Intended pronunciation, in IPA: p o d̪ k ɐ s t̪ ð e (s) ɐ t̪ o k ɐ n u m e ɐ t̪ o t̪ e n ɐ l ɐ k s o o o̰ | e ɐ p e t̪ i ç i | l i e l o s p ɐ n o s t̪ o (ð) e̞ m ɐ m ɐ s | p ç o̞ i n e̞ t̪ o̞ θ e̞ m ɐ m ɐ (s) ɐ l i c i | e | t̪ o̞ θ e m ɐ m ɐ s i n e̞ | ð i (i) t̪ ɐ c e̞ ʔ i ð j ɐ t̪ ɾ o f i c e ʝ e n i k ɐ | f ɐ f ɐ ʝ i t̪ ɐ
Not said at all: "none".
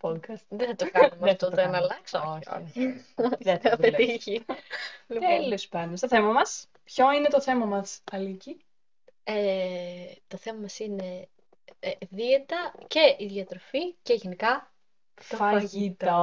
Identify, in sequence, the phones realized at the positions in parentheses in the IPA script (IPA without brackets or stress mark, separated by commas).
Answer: θ, θ, s, e